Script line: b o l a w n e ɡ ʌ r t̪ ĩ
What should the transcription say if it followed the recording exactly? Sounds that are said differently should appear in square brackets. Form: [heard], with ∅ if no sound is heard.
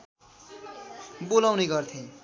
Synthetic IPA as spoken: b o l a w n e ɡ ʌ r [t̪ʰ] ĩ